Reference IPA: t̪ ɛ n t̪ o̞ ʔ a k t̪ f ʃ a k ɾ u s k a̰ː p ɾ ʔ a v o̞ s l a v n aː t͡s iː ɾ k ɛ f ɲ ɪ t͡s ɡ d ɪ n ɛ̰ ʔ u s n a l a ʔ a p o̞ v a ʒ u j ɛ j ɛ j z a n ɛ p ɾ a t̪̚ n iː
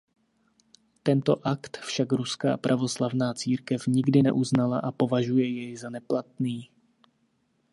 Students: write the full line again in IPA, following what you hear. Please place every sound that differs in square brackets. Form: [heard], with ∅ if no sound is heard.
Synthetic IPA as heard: t̪ ɛ n t̪ o̞ ʔ a k t̪ f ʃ a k ɾ u s k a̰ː p ɾ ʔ a v o̞ s l a v n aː t͡s iː ɾ k ɛ f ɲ ɪ [∅] ɡ d ɪ n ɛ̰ ʔ u [z] n a l a ʔ a p o̞ v a ʒ u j ɛ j ɛ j z a n ɛ p [l] a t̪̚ n iː